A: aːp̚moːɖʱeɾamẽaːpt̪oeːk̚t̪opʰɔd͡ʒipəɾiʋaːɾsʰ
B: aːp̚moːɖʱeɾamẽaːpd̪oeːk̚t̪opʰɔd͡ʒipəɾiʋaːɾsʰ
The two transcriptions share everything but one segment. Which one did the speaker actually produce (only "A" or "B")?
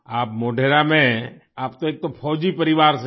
A